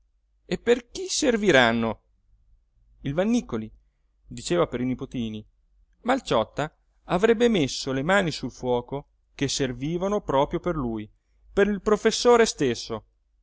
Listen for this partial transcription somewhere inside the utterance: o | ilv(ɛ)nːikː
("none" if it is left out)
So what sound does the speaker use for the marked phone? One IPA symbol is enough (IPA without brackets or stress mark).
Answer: a